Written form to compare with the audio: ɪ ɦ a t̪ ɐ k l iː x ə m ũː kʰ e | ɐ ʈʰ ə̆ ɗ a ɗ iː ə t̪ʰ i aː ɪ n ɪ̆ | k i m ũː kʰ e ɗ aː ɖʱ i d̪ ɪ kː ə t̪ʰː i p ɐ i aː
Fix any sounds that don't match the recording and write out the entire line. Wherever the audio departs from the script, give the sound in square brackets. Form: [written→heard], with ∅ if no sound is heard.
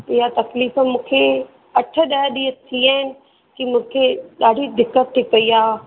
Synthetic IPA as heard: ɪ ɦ a t̪ ɐ k l iː [x→f] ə m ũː kʰ e | ɐ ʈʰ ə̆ ɗ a ɗ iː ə t̪ʰ i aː ɪ n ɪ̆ | k i m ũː kʰ e ɗ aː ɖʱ i d̪ ɪ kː ə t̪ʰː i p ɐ i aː